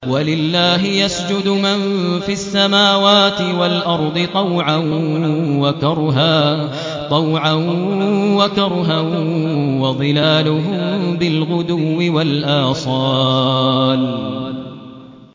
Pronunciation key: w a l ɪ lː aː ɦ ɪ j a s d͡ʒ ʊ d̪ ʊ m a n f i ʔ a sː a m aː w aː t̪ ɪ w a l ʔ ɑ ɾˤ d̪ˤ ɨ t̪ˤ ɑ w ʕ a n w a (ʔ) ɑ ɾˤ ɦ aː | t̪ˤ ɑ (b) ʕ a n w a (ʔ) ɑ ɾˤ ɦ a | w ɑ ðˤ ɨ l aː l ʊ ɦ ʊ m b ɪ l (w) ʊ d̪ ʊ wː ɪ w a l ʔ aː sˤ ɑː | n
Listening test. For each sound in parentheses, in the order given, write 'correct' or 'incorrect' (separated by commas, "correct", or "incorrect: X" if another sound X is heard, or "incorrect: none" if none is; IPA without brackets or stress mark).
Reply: incorrect: k, incorrect: w, incorrect: k, incorrect: ɣ